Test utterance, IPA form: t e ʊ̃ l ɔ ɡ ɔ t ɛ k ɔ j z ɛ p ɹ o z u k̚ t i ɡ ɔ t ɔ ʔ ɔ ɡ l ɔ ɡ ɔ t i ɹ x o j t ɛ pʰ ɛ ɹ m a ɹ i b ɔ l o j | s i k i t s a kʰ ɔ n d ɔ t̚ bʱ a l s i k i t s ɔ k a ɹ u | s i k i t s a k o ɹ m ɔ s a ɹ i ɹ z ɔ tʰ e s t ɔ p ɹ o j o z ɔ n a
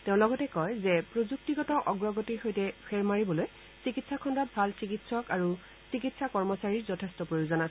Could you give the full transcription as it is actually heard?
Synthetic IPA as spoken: t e ʊ̃ l ɔ ɡ ɔ t ɛ k ɔ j z ɛ p ɹ o z u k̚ t i ɡ ɔ t ɔ ʔ ɔ ɡ ɹ ɔ ɡ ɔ t i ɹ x o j t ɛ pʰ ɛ ɹ m a ɹ i b ɔ l o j | s i k i t s a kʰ ɔ n d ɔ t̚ bʱ a l s i k i t s ɔ k a ɹ u | s i k i t s a k ɔ ɹ m ɔ s a ɹ i ɹ z ɔ tʰ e s t ɔ p ɹ o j o z ɔ n a